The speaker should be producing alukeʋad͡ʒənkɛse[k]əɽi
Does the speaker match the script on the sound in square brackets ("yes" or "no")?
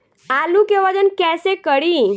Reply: yes